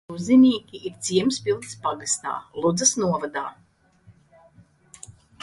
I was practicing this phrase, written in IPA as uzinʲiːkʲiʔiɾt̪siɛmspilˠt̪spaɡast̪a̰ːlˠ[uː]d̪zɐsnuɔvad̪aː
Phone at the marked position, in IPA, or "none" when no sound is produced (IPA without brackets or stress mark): u